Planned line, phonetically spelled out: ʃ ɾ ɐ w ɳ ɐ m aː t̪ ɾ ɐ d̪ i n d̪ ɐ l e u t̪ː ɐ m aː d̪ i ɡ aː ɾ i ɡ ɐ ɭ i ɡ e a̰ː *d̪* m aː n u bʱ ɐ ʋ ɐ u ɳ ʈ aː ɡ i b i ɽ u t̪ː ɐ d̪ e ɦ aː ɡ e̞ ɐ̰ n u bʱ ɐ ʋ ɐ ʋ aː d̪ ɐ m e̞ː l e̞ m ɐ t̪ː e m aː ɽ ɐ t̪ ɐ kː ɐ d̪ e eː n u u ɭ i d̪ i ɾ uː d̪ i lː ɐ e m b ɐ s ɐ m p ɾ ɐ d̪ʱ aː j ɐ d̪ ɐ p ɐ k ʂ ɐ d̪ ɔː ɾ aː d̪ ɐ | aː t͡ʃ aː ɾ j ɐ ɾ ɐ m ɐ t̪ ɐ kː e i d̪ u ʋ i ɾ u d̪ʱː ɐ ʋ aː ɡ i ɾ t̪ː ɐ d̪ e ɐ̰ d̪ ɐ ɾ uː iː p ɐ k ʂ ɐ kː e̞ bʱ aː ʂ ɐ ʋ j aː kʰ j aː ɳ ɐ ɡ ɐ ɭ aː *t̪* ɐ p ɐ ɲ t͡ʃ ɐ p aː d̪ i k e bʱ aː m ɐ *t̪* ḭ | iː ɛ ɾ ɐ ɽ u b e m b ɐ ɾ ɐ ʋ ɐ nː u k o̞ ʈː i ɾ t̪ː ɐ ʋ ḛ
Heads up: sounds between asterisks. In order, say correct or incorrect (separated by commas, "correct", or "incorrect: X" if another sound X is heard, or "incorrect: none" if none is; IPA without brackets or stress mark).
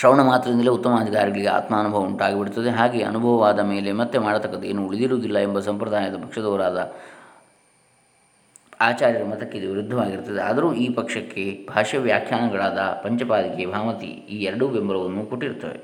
incorrect: t̪, incorrect: d̪, correct